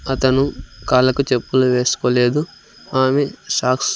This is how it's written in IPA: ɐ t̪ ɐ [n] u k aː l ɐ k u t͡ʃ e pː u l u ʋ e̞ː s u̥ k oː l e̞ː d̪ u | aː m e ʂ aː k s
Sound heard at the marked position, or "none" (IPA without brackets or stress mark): n